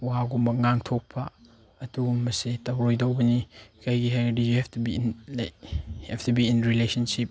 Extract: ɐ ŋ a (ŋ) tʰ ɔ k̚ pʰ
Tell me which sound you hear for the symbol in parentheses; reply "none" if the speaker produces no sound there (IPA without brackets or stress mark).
ŋ